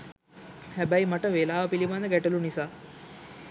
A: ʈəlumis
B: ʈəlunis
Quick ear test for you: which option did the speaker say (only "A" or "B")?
B